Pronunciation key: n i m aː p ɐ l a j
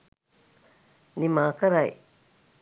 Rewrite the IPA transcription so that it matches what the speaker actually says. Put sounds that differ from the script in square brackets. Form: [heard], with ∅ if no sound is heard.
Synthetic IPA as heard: n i m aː [k] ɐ [ɾ] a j